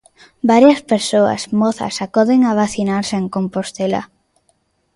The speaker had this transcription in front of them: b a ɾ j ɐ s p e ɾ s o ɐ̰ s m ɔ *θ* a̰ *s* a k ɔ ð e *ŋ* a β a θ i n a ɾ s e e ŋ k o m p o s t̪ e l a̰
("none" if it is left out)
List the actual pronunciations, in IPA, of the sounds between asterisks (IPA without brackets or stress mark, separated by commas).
θ, s, ŋ